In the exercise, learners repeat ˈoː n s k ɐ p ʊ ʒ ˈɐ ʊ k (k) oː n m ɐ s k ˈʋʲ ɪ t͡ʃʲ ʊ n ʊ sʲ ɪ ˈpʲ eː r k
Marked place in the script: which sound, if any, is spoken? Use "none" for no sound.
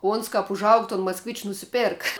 t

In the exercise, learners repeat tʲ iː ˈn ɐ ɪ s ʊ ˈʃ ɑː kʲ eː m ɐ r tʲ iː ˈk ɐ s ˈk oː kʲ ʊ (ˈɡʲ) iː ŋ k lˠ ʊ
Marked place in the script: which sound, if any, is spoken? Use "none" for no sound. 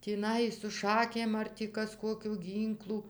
ɡʲ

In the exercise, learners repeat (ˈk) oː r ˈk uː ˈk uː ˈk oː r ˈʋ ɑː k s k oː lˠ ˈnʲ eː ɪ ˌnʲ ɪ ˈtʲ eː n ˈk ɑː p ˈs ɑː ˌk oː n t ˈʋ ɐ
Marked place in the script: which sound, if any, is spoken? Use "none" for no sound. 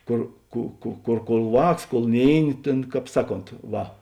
k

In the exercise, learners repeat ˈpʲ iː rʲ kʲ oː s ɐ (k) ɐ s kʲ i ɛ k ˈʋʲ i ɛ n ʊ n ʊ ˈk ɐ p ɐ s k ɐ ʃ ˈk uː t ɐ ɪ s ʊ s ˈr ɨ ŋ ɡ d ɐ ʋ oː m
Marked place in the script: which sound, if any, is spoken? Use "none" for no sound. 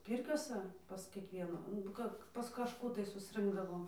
p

